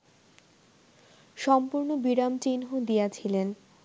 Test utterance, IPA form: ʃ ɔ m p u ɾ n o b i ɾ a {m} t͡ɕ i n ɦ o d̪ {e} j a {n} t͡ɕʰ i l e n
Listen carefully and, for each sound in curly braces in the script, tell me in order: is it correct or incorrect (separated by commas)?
correct, incorrect, incorrect